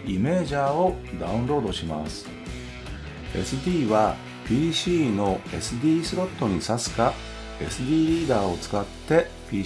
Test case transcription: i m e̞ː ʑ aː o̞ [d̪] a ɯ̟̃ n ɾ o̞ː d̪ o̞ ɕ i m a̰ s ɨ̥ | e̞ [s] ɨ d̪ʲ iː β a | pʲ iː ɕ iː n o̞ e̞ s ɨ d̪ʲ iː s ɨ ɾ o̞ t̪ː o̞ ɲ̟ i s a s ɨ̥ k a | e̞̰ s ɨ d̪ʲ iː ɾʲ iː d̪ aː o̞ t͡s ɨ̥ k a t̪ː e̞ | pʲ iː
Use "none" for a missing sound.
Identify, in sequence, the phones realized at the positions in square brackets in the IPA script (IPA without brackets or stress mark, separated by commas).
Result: d̪, s